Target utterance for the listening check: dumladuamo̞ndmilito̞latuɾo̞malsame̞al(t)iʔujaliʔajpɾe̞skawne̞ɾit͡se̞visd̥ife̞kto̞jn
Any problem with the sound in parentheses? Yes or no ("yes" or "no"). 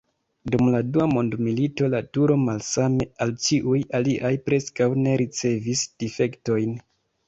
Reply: yes